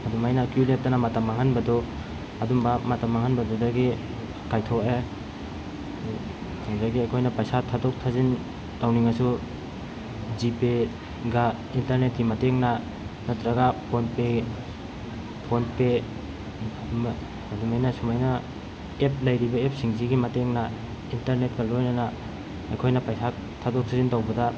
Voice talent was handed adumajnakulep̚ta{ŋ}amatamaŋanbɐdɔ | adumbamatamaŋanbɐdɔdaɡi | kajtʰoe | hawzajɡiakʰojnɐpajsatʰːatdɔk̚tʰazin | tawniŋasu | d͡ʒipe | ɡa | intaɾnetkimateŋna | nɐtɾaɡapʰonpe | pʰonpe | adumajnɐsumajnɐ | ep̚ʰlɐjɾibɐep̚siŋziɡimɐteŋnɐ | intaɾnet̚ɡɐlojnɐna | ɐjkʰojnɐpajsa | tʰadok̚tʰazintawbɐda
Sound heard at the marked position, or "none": n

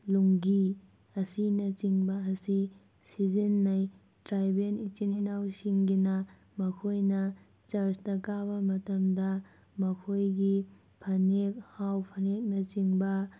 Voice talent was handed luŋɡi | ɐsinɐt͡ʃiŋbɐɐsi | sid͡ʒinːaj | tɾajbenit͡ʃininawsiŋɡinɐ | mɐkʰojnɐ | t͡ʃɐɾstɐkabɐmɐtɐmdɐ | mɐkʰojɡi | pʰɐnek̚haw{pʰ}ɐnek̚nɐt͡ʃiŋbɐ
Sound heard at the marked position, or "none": pʰ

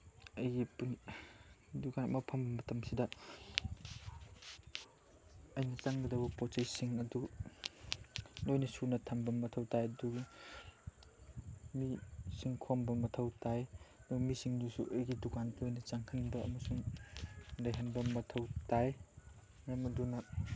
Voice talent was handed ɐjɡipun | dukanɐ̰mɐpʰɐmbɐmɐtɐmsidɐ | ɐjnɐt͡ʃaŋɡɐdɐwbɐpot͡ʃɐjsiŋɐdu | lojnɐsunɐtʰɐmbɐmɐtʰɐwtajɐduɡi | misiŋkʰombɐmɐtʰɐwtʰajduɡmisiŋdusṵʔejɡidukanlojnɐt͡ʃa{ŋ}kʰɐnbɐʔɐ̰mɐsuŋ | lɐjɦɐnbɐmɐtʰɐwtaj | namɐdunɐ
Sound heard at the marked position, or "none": ŋ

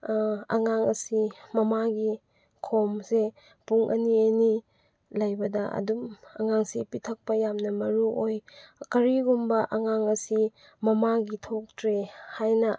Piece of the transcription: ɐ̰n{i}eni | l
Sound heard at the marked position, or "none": i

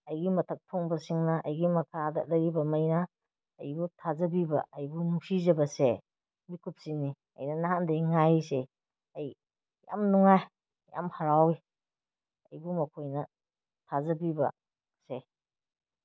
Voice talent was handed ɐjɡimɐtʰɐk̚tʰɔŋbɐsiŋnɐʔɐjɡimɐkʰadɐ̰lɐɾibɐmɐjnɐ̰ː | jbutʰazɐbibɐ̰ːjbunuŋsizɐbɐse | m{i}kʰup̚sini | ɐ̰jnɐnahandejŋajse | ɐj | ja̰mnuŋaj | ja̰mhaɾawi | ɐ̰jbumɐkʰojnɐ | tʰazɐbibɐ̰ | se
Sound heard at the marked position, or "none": i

